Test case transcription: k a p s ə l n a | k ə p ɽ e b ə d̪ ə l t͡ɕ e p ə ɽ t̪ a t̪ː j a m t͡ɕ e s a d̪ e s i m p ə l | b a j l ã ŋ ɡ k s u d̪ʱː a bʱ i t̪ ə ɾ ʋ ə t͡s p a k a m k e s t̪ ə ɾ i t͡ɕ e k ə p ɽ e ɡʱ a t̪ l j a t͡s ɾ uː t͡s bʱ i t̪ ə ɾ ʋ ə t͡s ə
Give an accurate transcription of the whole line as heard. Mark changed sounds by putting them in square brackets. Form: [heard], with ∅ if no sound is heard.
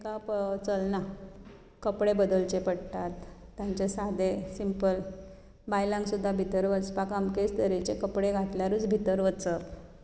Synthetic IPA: k a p [t͡s] ə l n a | k ə p ɽ e b ə d̪ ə l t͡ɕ e p ə ɽ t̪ a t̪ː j a [ɲ] t͡ɕ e s a d̪ e s i m p ə l | b a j l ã ŋ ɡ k s u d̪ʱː a bʱ i t̪ ə ɾ ʋ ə t͡s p a k a m k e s t̪ ə ɾ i t͡ɕ e k ə p ɽ e ɡʱ a t̪ l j a [∅] ɾ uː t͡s bʱ i t̪ ə ɾ ʋ ə t͡s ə